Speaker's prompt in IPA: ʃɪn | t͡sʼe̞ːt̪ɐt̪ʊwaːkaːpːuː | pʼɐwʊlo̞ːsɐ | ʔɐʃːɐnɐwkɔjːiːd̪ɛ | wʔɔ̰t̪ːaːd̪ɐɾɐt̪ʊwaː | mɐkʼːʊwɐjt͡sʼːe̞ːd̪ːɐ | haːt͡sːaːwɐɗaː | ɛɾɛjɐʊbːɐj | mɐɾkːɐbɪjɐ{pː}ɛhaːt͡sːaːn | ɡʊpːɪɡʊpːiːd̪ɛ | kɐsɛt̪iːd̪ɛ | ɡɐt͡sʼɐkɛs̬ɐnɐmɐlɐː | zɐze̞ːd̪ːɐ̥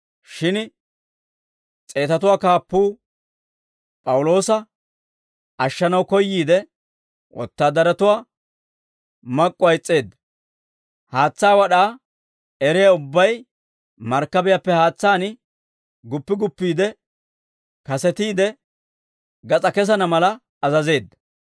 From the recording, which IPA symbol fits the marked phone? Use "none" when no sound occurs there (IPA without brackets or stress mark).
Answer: pː